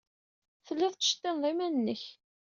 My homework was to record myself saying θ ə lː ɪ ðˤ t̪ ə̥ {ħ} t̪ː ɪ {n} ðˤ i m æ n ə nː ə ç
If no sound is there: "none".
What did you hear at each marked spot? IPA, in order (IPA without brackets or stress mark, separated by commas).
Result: ʃ, n